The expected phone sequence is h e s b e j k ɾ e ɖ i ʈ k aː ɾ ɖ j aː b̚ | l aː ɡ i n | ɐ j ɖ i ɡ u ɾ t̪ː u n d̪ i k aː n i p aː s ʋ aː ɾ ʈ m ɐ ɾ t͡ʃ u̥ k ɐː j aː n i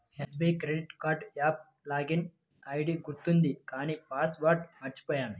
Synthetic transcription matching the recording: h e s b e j k ɾ e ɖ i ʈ k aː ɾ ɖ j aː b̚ | l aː ɡ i n | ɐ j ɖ i ɡ u ɾ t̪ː u n d̪ i k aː n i p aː s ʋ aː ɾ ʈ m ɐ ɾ t͡ʃ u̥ p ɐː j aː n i